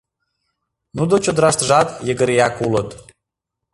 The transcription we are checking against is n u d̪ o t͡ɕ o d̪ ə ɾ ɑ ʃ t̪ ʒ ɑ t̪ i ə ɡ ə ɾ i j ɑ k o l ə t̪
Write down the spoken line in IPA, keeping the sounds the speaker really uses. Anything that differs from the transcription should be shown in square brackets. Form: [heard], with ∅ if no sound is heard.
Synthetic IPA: n u d̪ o t͡ɕ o d̪ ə ɾ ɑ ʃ t̪ ʒ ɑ t̪ [j] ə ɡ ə ɾ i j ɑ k [u] l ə t̪